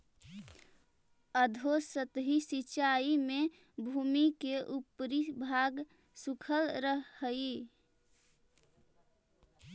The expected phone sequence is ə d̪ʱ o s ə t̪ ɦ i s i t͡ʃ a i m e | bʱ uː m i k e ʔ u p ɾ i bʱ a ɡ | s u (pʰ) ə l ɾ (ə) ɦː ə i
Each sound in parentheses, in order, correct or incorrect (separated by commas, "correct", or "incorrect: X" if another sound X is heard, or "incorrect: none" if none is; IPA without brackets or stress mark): incorrect: kʰ, correct